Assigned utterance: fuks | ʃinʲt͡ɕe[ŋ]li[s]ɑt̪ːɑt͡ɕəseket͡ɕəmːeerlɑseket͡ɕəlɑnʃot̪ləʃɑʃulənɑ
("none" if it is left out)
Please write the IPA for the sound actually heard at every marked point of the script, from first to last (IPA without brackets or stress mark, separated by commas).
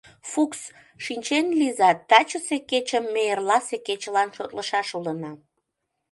n, z